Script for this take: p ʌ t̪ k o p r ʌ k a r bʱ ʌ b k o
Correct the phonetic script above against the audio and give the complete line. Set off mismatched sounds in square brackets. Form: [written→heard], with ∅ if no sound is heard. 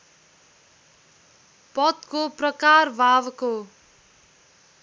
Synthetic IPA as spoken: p ʌ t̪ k o p r ʌ k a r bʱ [ʌ→a] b k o